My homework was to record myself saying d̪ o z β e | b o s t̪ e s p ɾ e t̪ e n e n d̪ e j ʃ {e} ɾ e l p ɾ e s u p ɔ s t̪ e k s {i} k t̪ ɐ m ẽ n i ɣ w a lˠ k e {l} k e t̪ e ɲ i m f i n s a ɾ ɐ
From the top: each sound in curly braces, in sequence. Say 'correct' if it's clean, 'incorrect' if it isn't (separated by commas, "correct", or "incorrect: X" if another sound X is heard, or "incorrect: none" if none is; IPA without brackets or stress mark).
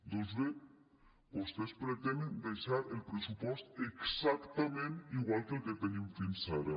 incorrect: a, incorrect: a, correct